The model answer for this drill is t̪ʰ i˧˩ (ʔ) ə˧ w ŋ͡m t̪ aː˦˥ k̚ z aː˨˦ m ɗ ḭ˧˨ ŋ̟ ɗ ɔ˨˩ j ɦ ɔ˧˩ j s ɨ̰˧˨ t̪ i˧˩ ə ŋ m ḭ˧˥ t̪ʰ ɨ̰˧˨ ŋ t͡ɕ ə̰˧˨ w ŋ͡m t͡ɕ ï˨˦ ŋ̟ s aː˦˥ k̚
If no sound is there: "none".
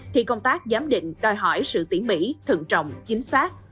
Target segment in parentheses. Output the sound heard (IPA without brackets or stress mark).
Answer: k